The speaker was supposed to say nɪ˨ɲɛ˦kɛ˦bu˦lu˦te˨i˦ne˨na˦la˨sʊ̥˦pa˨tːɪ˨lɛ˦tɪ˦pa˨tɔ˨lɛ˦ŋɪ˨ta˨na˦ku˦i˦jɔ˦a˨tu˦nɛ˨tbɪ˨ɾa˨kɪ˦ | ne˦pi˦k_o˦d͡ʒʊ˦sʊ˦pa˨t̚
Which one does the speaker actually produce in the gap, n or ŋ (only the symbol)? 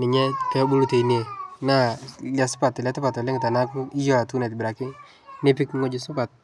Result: ŋ